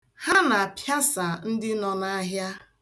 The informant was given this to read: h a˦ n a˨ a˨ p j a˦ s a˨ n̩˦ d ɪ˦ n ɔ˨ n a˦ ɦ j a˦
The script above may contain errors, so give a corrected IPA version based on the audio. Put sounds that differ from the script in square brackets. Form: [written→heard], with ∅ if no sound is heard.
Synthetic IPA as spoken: h a˦ n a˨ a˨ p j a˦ s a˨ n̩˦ d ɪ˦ n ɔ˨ n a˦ ɦ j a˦